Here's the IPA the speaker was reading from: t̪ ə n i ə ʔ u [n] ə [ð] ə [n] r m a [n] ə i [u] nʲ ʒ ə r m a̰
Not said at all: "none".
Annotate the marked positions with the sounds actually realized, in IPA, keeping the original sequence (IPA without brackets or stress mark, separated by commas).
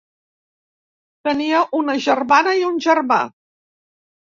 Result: n, ʒ, none, n, u